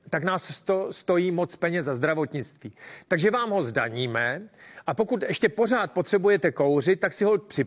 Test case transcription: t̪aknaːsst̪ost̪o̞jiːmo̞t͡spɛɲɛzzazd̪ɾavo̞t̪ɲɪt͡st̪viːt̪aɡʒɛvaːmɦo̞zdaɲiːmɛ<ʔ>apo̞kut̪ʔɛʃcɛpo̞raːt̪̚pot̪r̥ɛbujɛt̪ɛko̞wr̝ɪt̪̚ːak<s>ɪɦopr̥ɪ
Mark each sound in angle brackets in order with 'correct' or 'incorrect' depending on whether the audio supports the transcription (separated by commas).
correct, correct